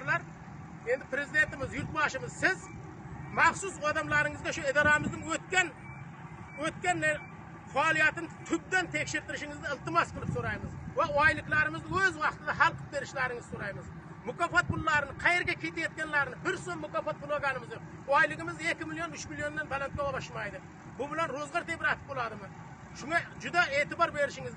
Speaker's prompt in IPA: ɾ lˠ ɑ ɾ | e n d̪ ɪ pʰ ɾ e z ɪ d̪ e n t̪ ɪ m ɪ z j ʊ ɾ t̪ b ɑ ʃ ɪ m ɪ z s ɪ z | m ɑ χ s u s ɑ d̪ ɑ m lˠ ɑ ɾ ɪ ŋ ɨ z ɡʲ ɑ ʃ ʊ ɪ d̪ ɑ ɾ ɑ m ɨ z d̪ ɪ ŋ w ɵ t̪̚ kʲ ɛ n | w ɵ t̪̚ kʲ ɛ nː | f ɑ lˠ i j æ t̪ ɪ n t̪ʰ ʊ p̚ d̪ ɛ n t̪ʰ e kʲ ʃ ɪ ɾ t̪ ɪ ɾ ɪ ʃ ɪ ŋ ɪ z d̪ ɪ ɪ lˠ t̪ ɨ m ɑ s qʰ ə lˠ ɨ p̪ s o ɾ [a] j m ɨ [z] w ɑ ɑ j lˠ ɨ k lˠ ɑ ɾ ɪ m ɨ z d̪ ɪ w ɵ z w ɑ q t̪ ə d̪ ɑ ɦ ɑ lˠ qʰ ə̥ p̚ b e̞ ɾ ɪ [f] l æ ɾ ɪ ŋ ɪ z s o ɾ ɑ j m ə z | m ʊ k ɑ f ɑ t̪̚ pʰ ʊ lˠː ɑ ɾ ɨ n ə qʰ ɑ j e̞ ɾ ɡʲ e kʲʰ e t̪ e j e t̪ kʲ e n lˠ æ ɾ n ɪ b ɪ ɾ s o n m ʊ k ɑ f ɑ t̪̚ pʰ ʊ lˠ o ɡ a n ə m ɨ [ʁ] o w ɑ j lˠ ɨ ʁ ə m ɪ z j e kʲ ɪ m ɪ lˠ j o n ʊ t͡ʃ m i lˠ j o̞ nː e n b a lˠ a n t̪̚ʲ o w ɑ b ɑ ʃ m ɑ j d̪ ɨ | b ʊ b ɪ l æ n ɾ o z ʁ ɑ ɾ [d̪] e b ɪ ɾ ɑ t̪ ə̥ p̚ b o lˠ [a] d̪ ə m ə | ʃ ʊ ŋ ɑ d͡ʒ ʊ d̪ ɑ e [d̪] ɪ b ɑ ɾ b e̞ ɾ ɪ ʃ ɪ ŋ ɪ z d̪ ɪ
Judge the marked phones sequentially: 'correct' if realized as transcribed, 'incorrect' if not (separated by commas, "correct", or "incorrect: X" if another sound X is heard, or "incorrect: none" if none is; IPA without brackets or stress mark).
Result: incorrect: ɑ, correct, incorrect: ʃ, incorrect: z, incorrect: t̪, incorrect: ɑ, incorrect: t̪